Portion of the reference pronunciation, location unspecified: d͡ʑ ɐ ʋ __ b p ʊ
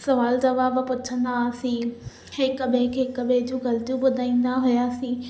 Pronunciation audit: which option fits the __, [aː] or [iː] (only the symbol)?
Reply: aː